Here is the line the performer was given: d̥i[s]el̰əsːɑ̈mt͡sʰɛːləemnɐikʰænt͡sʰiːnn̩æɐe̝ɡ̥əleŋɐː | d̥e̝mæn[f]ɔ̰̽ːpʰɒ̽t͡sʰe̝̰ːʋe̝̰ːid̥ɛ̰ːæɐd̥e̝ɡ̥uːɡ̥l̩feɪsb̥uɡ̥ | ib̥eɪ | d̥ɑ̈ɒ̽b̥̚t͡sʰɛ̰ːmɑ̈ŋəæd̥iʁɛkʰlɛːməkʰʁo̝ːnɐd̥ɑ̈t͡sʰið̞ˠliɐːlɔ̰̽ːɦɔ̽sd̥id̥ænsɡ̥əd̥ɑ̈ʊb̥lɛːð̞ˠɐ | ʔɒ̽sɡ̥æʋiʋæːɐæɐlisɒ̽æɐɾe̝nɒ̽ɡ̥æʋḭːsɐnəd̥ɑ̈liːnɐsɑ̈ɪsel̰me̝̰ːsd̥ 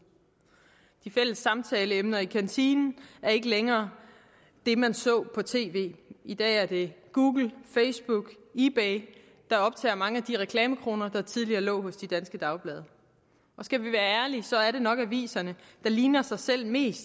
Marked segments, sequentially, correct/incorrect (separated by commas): incorrect, incorrect